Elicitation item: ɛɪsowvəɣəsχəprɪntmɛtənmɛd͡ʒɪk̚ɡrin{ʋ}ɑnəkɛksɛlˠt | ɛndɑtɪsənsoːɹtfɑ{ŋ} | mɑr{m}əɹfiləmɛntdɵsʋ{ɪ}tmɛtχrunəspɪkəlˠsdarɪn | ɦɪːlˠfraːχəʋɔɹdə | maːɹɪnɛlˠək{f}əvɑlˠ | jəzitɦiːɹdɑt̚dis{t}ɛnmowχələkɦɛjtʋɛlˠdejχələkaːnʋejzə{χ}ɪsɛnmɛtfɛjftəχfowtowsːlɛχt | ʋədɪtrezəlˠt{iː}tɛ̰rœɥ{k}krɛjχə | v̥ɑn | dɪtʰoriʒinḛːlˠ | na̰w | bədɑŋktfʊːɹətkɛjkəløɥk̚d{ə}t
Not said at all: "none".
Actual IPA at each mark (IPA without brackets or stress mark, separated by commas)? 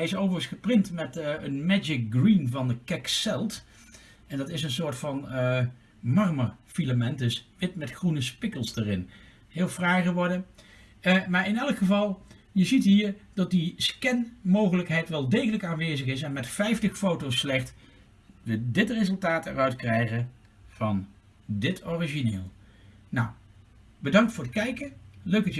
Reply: v, n, m, ɪ, χ, k, χ, aː, t, ɑ